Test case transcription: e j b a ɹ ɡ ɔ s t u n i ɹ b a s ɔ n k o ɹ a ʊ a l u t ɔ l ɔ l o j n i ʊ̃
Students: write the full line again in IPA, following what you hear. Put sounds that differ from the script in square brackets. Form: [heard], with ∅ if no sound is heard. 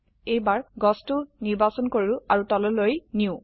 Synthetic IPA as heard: e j b a ɹ ɡ ɔ s t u n i ɹ b a s ɔ n k o ɹ [i] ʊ a [ɹ] u t ɔ l ɔ l o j n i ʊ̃